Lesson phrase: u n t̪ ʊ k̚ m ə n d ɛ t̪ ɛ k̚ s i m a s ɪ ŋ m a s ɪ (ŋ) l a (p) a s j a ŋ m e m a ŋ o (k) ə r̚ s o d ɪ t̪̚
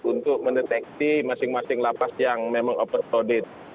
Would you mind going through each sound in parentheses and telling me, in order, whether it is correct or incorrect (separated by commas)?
correct, correct, incorrect